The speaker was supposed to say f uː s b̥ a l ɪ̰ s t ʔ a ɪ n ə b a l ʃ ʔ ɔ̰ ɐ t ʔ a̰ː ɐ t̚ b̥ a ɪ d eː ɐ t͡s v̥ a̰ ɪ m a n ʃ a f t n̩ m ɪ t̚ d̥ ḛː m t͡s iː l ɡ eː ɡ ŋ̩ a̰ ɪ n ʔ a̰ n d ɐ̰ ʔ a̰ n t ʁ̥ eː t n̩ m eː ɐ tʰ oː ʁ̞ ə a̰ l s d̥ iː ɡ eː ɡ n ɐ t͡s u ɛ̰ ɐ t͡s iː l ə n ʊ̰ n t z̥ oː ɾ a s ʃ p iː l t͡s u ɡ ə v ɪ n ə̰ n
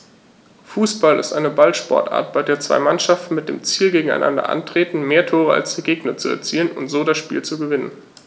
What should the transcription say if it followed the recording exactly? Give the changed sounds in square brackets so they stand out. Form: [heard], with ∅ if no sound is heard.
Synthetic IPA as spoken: f uː s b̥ a l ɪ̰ s t ʔ a ɪ n ə b a l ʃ [p] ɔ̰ ɐ t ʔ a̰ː ɐ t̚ b̥ a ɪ d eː ɐ t͡s v̥ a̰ ɪ m a n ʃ a f t n̩ m ɪ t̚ d̥ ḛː m t͡s iː l ɡ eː ɡ ŋ̩ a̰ ɪ n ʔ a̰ n d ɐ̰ ʔ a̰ n t ʁ̥ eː t n̩ m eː ɐ tʰ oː ʁ̞ ə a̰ l s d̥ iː ɡ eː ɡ n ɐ t͡s u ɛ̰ ɐ t͡s iː l ə n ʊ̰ n t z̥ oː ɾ a s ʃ p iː l t͡s u ɡ ə v ɪ n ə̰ n

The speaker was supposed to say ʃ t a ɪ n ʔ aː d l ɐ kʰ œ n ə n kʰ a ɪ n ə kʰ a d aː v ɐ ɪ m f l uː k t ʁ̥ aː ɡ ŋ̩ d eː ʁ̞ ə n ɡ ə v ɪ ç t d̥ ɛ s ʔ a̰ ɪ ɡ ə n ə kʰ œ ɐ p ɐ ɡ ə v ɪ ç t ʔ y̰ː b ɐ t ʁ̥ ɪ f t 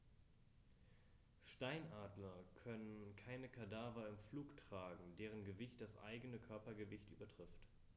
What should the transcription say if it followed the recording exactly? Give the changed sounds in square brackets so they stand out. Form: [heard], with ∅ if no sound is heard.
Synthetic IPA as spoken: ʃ t a ɪ n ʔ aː d l ɐ kʰ œ n ə n kʰ a ɪ n ə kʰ a d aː v ɐ ɪ m f l uː k t ʁ̥ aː ɡ ŋ̩ d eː ʁ̞ ə n ɡ ə v ɪ ç t d̥ [a] s ʔ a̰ ɪ ɡ ə n ə kʰ œ ɐ p ɐ ɡ ə v ɪ ç t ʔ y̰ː b ɐ t ʁ̥ ɪ f t

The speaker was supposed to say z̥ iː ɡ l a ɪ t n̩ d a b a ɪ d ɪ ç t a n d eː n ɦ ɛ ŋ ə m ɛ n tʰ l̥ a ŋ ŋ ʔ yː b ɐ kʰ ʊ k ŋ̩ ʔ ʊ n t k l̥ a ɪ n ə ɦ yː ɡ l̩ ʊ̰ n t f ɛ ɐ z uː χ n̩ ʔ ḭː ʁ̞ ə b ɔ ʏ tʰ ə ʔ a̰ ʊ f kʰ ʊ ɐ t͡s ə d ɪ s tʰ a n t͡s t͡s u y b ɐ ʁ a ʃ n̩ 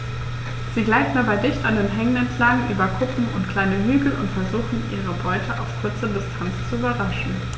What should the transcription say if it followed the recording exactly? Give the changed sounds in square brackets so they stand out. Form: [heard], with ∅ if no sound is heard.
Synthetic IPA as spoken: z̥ iː ɡ l a ɪ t n̩ d a b a ɪ d ɪ ç t a n d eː n ɦ ɛ ŋ ə [n] ɛ n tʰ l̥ a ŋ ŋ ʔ yː b ɐ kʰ ʊ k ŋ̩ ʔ ʊ n t k l̥ a ɪ n ə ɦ yː ɡ l̩ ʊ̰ n t f ɛ ɐ z uː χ n̩ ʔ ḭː ʁ̞ ə b ɔ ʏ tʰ ə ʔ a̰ ʊ f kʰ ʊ ɐ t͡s ə d ɪ s tʰ a n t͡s t͡s u y b ɐ ʁ a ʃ n̩

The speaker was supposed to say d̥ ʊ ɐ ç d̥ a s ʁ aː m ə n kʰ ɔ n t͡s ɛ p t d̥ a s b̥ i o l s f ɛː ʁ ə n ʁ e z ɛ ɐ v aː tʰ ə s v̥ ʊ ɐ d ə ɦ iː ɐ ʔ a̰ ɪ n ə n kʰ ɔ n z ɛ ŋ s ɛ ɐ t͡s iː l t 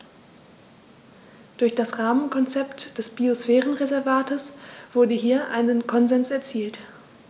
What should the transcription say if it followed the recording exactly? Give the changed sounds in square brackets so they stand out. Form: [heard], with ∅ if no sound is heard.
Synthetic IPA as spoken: d̥ ʊ ɐ ç d̥ a s ʁ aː m ə n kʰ ɔ n t͡s ɛ p t d̥ [ɛ] s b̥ i o [∅] s f ɛː ʁ ə n ʁ e z ɛ ɐ v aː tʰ ə s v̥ ʊ ɐ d ə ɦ iː ɐ ʔ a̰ ɪ n ə n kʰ ɔ n z ɛ [n] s ɛ ɐ t͡s iː l t

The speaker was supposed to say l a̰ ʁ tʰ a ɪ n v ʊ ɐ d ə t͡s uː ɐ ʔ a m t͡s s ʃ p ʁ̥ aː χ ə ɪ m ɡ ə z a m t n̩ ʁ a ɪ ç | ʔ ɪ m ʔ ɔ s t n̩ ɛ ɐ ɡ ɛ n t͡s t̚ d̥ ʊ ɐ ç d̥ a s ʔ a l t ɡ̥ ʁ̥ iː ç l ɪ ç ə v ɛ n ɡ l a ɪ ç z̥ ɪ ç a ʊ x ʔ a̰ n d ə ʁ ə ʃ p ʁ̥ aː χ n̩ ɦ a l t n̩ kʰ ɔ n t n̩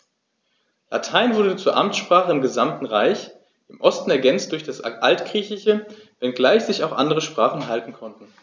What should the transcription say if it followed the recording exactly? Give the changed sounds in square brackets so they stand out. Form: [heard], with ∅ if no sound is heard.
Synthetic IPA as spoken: l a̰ [∅] tʰ a ɪ n v ʊ ɐ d ə t͡s uː ɐ ʔ a m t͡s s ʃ p ʁ̥ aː χ ə ɪ m ɡ ə z a m t n̩ ʁ a ɪ ç | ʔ ɪ m ʔ ɔ s t n̩ ɛ ɐ ɡ ɛ n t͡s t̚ d̥ ʊ ɐ ç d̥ a s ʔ a l t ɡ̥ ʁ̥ iː ç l ɪ ç ə v ɛ n ɡ l a ɪ ç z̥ ɪ ç a ʊ x ʔ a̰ n d ə ʁ ə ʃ p ʁ̥ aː χ n̩ ɦ a l t n̩ kʰ ɔ n t n̩

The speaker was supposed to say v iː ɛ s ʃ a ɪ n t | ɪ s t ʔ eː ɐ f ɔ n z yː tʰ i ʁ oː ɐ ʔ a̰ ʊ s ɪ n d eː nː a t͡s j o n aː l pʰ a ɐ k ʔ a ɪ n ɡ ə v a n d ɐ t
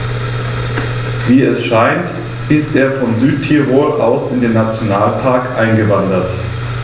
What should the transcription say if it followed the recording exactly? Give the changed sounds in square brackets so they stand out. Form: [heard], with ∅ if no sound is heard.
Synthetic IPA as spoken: v iː ɛ s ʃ a ɪ n t | ɪ s t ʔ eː ɐ f ɔ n z yː tʰ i ʁ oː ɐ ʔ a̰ ʊ s ɪ n d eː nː a t͡s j o n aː l pʰ a ɐ k ʔ a ɪ n ɡ ə v a n d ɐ t

